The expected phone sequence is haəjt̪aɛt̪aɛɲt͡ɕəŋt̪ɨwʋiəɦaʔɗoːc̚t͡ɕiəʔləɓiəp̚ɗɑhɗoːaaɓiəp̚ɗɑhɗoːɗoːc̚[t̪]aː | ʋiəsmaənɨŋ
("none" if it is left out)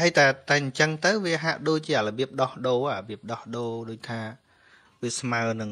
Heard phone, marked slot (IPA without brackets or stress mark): t̪ʰ